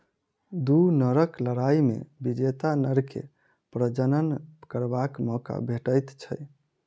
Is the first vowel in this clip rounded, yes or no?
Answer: yes